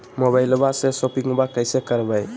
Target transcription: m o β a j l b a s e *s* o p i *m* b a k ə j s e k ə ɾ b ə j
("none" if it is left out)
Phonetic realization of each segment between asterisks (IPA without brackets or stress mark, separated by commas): s, ŋ